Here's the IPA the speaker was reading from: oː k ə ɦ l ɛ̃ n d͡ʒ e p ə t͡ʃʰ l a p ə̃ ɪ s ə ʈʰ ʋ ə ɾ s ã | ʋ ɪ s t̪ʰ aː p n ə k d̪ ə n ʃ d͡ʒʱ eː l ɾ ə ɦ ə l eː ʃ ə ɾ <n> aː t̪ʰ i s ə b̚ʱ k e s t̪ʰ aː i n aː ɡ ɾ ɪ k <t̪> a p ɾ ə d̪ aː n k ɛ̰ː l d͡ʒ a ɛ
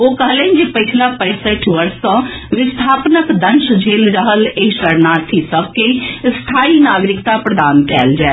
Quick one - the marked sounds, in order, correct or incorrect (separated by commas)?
correct, correct